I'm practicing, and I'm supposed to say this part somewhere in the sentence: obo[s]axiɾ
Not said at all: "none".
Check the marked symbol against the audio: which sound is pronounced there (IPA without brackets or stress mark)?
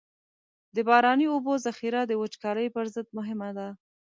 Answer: z